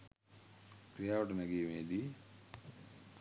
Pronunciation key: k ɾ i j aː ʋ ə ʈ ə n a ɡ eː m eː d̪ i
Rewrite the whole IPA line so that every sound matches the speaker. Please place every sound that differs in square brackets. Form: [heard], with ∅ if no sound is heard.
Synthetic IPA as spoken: k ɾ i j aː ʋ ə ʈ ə n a ɡ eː m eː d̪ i